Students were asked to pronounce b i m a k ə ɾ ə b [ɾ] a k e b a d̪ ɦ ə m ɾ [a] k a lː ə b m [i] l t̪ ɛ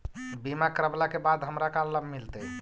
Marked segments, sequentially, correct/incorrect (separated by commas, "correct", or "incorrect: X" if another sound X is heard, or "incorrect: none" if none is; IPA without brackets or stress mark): incorrect: l, correct, correct